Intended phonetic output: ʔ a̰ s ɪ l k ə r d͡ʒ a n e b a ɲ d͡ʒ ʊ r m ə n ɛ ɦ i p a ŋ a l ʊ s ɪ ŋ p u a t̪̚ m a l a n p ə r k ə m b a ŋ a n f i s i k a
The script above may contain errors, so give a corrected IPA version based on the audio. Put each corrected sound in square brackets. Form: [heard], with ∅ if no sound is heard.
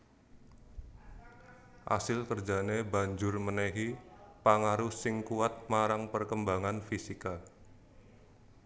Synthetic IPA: ʔ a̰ s ɪ l k ə r d͡ʒ a n e b a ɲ d͡ʒ ʊ r m ə n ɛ ɦ i p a ŋ a [ɾ] ʊ s ɪ ŋ [k] u a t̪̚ m a [ɾ] a [ŋ] p ə r k ə m b a ŋ a n f i s i k a